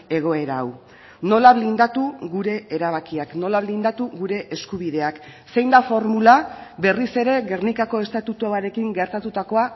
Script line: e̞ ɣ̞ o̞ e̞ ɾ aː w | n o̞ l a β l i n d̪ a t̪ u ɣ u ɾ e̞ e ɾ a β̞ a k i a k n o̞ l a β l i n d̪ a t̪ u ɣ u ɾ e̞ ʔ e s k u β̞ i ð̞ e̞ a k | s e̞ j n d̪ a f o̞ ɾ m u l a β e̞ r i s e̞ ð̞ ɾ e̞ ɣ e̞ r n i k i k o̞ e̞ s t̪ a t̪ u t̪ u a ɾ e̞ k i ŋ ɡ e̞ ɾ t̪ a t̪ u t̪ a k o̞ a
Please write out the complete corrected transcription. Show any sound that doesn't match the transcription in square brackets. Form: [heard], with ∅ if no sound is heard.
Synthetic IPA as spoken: e̞ ɣ̞ o̞ e̞ ɾ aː w | n o̞ l a β l i n d̪ a t̪ u ɣ u ɾ e̞ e ɾ a β̞ a k i a k n o̞ l a β l i n d̪ a t̪ u ɣ u ɾ e̞ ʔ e s k u β̞ i ð̞ e̞ a k | s e̞ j n d̪ a f o̞ ɾ m u l a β e̞ r i s e̞ [∅] ɾ e̞ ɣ e̞ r n i k [a] k o̞ e̞ s t̪ a t̪ u t̪ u a ɾ e̞ k i ŋ ɡ e̞ ɾ t̪ a t̪ u t̪ a k o̞ a